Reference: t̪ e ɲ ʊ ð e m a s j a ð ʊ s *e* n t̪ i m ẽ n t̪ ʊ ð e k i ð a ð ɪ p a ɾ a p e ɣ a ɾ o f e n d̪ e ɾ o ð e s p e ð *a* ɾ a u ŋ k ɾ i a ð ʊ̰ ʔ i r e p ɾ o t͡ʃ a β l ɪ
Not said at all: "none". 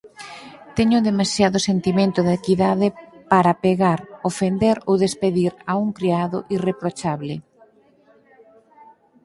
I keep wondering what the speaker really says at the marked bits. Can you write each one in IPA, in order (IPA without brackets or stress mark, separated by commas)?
e, i